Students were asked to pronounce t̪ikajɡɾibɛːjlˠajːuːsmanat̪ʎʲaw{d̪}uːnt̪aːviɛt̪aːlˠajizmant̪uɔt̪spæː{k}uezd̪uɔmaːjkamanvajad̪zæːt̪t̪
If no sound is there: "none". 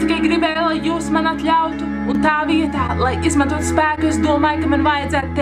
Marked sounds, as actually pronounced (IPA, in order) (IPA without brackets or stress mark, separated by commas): t̪, k